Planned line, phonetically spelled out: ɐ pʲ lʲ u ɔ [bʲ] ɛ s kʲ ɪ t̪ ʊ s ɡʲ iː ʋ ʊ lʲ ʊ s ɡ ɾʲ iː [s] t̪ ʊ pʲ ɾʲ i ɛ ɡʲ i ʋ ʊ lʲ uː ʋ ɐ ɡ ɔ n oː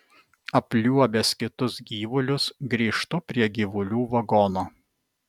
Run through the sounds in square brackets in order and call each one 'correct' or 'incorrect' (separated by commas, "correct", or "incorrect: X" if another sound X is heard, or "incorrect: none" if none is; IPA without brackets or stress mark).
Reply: correct, incorrect: ʃ